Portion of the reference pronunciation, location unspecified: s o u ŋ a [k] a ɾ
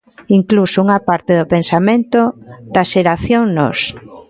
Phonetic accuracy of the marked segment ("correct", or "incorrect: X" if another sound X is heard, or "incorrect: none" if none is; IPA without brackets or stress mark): incorrect: p